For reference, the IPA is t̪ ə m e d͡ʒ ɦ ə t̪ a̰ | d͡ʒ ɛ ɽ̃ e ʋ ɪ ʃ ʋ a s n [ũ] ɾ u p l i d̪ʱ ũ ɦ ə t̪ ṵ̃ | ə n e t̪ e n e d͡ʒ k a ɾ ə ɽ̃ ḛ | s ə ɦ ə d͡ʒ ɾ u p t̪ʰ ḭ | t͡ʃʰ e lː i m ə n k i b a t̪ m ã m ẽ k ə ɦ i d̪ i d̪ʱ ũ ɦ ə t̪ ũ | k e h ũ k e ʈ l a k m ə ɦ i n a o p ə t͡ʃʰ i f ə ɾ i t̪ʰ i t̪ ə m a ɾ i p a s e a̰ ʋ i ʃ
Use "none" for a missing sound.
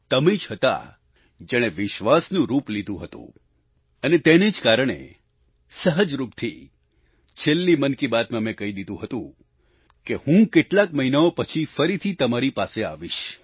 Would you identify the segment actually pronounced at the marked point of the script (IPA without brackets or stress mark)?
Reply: ũ